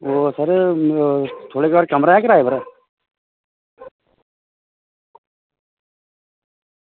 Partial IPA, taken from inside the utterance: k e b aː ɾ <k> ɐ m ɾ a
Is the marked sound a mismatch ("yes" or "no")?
no